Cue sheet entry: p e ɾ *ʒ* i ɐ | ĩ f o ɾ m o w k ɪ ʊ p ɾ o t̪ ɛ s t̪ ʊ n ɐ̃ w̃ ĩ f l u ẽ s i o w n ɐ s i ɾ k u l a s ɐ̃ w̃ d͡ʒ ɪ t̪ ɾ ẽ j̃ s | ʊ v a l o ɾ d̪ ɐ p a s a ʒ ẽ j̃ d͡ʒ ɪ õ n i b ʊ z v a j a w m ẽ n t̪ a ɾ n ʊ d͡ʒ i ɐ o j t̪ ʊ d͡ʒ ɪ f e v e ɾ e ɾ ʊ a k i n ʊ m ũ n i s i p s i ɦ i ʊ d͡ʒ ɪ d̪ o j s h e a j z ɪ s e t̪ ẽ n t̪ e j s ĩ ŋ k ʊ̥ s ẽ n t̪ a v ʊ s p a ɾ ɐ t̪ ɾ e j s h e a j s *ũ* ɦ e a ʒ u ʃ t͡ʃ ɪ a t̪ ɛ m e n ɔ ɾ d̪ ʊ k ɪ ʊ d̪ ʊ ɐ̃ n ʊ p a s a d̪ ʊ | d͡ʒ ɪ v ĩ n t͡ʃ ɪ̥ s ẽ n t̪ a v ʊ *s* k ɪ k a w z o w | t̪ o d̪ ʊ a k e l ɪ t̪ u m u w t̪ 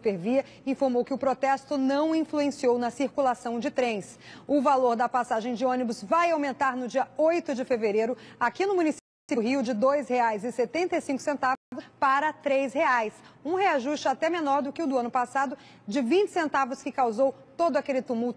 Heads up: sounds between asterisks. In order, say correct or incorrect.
incorrect, correct, correct

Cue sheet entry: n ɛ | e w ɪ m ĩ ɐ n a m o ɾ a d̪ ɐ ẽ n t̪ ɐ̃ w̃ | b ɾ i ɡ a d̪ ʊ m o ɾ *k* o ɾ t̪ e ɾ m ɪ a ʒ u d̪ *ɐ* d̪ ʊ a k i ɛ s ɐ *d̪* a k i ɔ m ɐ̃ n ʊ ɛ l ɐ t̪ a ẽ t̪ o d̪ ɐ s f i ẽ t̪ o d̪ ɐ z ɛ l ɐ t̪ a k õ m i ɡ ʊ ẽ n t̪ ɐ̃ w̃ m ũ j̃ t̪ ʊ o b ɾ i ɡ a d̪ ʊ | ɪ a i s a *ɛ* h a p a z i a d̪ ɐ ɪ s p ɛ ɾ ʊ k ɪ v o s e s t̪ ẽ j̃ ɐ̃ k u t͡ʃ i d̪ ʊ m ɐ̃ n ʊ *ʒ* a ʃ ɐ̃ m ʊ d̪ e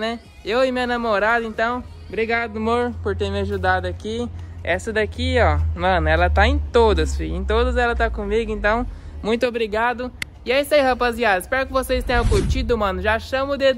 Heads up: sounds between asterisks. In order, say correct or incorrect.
incorrect, incorrect, correct, incorrect, correct

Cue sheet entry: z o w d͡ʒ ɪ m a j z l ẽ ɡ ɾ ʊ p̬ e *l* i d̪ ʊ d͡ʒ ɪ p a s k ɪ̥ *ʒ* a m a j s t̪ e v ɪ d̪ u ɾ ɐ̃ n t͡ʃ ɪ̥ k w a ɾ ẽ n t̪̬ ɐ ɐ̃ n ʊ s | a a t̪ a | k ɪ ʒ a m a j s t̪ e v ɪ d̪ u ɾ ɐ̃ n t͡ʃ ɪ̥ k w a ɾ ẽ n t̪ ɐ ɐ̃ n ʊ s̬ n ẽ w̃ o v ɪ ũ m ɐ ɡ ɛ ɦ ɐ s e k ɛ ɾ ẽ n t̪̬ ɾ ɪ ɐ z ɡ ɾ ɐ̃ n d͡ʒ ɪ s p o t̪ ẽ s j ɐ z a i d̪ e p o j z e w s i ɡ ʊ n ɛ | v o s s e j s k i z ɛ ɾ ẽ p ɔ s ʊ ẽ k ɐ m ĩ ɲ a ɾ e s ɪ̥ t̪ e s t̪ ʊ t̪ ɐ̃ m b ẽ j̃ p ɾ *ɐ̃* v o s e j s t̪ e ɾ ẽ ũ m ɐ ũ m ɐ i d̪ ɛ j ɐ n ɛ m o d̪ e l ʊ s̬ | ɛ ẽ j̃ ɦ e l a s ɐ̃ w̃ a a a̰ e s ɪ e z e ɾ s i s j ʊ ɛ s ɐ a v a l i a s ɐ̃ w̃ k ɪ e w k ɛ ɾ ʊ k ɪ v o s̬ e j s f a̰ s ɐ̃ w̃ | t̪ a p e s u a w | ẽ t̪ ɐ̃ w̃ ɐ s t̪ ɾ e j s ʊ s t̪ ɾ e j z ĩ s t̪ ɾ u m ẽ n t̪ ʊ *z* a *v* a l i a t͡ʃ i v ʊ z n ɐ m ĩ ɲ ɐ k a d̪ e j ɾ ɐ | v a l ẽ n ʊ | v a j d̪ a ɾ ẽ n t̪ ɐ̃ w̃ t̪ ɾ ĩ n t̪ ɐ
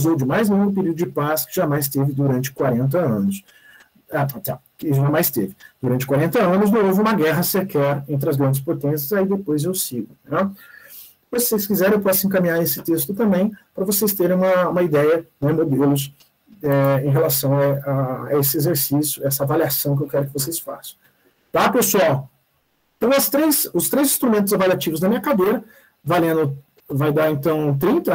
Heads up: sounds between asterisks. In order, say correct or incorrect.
incorrect, correct, incorrect, correct, correct

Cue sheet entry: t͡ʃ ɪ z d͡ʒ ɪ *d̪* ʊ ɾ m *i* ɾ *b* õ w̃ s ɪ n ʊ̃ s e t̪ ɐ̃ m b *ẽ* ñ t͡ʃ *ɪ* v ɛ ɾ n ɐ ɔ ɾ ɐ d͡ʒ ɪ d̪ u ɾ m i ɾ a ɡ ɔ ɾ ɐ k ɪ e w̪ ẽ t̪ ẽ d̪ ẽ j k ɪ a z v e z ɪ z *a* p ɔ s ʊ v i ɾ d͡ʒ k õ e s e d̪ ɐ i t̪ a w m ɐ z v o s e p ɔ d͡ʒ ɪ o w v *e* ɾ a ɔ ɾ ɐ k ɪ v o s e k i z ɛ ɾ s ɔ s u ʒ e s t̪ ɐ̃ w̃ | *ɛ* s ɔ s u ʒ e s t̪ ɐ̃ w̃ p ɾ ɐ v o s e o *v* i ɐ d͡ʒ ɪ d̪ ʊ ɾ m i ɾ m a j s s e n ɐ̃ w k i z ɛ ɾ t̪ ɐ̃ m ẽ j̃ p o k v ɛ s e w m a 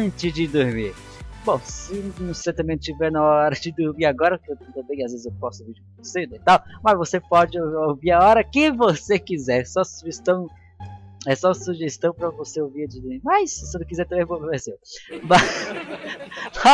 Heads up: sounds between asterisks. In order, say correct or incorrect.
correct, correct, correct, correct, incorrect, incorrect, incorrect, correct, correct

